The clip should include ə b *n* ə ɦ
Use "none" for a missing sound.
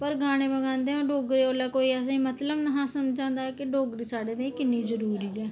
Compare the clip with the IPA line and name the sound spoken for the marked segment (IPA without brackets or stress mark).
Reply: n